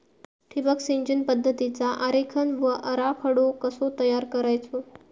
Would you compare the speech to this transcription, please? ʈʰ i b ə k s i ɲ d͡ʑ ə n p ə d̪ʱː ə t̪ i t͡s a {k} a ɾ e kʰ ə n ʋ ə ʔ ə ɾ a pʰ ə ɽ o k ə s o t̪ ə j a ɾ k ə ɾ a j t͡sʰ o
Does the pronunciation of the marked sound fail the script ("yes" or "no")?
yes